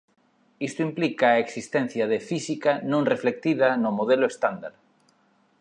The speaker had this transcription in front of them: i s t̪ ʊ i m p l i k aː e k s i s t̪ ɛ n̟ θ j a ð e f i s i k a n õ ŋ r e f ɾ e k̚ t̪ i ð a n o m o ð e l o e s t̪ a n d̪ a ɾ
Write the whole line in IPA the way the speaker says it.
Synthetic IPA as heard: i s t̪ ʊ i m p l i k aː e k s i s t̪ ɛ n̟ θ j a ð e f i s i k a n õ ŋ r e f l e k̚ t̪ i ð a n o m o ð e l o e s t̪ a n d̪ a ɾ

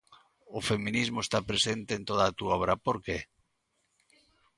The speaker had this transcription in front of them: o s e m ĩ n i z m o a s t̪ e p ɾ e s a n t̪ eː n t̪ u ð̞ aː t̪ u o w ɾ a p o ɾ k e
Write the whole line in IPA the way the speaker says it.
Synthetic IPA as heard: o f e m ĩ n i z m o e s t̪ a p ɾ e s e n t̪ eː n t̪ o ð̞ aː t̪ u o β ɾ a p o ɾ k e

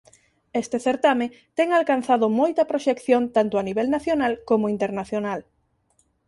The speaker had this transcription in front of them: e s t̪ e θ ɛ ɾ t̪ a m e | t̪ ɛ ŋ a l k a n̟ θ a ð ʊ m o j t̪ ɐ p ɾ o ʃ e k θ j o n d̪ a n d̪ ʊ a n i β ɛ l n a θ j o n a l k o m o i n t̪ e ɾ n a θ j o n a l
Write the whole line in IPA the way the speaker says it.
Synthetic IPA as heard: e s t̪ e θ e ɾ t̪ a m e | t̪ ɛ ŋ a l k a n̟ θ a ð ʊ m o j t̪ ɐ p ɾ o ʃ e k θ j o n t̪ a n t̪ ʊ a n i β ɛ l n a θ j o n a l k o m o i n t̪ e ɾ n a θ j o n a l

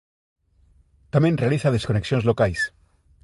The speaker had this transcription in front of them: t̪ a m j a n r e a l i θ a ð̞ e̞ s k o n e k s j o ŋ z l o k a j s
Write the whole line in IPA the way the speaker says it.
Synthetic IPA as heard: t̪ a m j e n r e a l i θ a ð̞ e̞ s k o n e k s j o n z l o k a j s

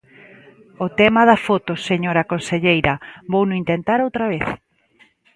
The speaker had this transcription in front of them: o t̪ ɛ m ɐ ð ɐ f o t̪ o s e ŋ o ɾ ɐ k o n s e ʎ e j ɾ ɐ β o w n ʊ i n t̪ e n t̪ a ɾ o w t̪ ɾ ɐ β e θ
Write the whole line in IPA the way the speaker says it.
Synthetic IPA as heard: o t̪ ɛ m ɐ ð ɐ f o t̪ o s e ɲ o ɾ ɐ k o n s e ʎ e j ɾ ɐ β o w n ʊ i n t̪ e n t̪ a ɾ o w t̪ ɾ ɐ β e θ

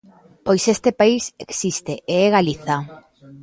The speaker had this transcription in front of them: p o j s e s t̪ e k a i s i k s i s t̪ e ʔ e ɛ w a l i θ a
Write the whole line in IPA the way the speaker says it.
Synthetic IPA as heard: p o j s e s t̪ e p a i s e k s i s t̪ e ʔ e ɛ ɣ a l i θ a

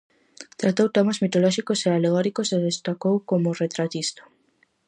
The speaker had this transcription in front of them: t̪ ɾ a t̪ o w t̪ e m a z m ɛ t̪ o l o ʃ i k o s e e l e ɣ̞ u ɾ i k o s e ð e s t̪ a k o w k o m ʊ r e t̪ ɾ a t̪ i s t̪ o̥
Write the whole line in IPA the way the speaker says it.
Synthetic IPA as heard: t̪ ɾ a t̪ o w t̪ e m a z m i t̪ o l ɔ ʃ i k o s e a l e ɣ̞ ɔ ɾ i k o s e ð e s t̪ a k o w k o m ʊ r e t̪ ɾ a t̪ i s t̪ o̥

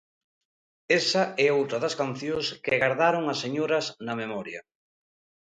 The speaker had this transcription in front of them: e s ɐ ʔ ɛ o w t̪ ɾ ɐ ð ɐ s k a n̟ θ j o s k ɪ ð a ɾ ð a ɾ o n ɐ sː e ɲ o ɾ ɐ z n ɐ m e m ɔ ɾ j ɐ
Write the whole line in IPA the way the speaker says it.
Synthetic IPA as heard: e s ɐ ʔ ɛ o w t̪ ɾ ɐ ð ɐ s k a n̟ θ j o s k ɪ ɣ a ɾ ð a ɾ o ŋ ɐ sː e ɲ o ɾ ɐ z n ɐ m e m ɔ ɾ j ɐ

